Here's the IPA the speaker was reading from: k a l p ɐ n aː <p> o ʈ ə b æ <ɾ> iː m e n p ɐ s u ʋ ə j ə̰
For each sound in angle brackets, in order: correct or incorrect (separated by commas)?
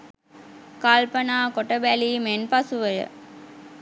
incorrect, incorrect